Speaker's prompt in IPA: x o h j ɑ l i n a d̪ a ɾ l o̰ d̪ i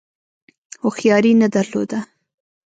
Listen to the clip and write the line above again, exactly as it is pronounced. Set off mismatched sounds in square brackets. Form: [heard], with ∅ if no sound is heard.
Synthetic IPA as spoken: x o [x] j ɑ [ɾ] i n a d̪ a ɾ l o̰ d̪ [a]